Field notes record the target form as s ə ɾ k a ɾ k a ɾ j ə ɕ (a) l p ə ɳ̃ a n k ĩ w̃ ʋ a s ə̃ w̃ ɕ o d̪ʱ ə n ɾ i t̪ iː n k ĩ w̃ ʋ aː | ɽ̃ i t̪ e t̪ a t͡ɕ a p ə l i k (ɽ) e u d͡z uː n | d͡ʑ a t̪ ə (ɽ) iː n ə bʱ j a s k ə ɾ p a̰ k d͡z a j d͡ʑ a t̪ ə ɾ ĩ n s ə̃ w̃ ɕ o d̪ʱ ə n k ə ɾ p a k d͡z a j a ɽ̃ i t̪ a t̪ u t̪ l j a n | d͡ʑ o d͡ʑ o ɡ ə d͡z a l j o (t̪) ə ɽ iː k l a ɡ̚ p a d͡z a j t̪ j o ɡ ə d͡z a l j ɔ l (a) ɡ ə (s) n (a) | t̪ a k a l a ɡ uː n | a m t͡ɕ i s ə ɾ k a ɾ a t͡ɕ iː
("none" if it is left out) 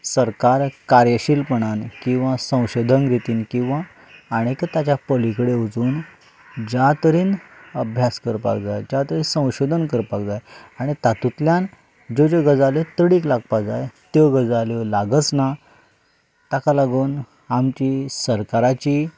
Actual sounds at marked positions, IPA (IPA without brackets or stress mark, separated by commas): i, ɽ, ɾ, t̪, a, t͡s, a